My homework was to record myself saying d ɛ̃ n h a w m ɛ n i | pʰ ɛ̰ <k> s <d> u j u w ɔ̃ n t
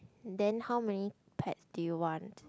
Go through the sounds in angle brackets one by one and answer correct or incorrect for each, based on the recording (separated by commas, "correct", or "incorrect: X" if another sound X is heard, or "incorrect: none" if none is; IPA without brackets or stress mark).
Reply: incorrect: t, correct